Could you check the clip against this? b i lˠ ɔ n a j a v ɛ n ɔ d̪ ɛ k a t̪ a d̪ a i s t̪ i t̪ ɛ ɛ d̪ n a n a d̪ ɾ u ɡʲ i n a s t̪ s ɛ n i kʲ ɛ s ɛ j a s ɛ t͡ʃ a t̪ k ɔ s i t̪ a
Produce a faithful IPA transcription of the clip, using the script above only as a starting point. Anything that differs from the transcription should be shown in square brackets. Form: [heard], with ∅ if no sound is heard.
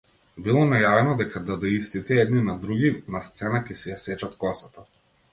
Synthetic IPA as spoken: b i lˠ ɔ n a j a v ɛ n ɔ d̪ ɛ k a [d̪] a d̪ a i s t̪ i t̪ ɛ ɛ d̪ n [i] n a d̪ ɾ u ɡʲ i n a s t̪ s ɛ n [a] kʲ ɛ s ɛ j a s ɛ t͡ʃ a t̪ k ɔ s [a] t̪ a

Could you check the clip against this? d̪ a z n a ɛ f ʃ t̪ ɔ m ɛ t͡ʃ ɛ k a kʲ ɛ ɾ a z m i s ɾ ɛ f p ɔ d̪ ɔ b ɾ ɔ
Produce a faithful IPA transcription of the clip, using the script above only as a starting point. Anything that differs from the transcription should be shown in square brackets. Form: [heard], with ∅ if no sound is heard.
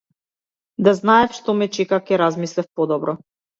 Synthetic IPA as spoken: d̪ a z n a ɛ f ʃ t̪ ɔ m ɛ t͡ʃ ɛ k a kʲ ɛ ɾ a z m i s [l] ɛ f p ɔ d̪ ɔ b ɾ ɔ

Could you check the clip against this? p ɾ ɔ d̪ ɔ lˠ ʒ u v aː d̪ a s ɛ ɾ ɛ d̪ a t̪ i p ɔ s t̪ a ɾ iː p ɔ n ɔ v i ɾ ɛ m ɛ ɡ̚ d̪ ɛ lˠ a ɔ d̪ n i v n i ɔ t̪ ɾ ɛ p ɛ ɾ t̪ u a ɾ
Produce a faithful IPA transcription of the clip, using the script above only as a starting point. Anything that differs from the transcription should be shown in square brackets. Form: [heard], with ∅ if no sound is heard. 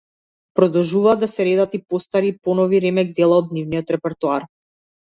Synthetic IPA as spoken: p ɾ ɔ d̪ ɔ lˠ ʒ u v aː d̪ a s ɛ ɾ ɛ d̪ a t̪ i p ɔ s t̪ a ɾ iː p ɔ n ɔ v i ɾ ɛ m ɛ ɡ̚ d̪ ɛ lˠ a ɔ d̪ n i v n i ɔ t̪ ɾ ɛ p ɛ ɾ t̪ u a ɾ

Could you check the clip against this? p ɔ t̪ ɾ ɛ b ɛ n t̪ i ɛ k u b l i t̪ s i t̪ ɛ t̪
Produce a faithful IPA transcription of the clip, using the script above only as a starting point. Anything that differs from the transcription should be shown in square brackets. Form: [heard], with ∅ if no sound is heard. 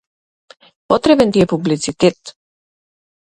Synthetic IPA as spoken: p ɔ t̪ ɾ ɛ b ɛ n t̪ i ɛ [p] u b l i t̪ s i t̪ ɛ t̪

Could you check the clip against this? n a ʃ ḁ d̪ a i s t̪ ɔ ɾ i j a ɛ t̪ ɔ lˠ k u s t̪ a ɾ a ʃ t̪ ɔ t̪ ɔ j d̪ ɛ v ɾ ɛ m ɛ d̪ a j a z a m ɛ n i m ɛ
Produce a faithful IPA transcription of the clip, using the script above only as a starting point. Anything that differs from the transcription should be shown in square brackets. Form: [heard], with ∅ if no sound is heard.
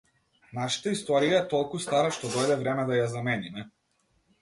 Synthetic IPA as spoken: n a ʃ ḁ [t̪] a i s t̪ ɔ ɾ i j a ɛ t̪ ɔ lˠ k u s t̪ a ɾ a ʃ t̪ ɔ [d̪] ɔ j d̪ ɛ v ɾ ɛ m ɛ d̪ a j a z a m ɛ n i m ɛ

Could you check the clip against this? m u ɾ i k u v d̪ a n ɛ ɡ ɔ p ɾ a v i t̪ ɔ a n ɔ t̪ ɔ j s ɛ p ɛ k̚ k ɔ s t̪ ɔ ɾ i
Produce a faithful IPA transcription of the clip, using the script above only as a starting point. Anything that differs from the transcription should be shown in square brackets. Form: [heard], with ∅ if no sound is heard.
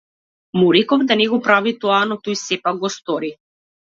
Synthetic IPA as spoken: m u ɾ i k [ɔ] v d̪ a n ɛ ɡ ɔ p ɾ a v i t̪ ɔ a n ɔ t̪ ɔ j s ɛ p [a] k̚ [ɡ] ɔ s t̪ ɔ ɾ i

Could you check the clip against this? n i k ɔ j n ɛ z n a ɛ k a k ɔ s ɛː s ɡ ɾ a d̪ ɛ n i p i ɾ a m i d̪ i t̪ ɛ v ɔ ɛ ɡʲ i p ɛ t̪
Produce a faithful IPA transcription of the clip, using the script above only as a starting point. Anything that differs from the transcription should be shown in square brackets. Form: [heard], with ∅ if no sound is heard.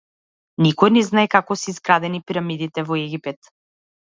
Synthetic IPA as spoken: n i k ɔ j n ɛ z n a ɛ k a k ɔ s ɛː [z] ɡ ɾ a d̪ ɛ n i p i ɾ a m i d̪ i t̪ ɛ v ɔ ɛ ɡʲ i p ɛ t̪

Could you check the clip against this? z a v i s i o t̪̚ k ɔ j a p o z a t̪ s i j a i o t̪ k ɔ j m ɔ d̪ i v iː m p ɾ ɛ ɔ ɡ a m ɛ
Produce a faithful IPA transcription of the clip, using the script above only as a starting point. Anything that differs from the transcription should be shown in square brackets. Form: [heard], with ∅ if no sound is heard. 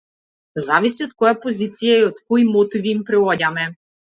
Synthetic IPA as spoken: z a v i s i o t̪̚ k ɔ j a p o z [i] t̪ s i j a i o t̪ k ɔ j m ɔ [t̪] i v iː m p ɾ ɛ ɔ [ɟ] a m ɛ

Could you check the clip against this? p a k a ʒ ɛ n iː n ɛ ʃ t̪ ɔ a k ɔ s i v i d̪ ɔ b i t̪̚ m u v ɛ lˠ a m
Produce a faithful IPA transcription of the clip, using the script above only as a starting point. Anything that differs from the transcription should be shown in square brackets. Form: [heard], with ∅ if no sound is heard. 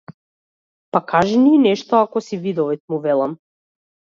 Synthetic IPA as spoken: p a k a ʒ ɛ n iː n ɛ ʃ t̪ ɔ a k ɔ s i v i d̪ ɔ [v] i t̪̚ m u v ɛ lˠ a m

